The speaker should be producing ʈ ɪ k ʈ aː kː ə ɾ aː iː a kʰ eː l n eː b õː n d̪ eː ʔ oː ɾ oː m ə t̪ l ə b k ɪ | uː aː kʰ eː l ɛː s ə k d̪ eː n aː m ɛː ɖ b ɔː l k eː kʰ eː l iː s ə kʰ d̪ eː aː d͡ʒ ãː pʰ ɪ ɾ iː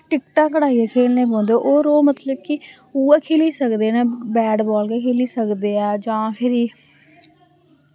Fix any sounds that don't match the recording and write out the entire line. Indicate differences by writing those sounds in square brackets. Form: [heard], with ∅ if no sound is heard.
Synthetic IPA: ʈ ɪ k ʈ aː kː ə [ɽ] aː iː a kʰ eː l n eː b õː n d̪ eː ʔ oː ɾ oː m ə t̪ l ə b k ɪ | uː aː kʰ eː l [iː] s ə k d̪ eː n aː [b] ɛː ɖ b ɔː l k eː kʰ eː l iː s ə [k] d̪ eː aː d͡ʒ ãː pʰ ɪ ɾ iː